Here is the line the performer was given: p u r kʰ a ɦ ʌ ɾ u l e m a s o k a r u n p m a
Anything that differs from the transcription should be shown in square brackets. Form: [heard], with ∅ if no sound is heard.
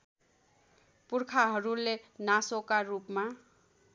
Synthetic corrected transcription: p u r kʰ a ɦ ʌ ɾ u l e [n] a s o k a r u [∅] p m a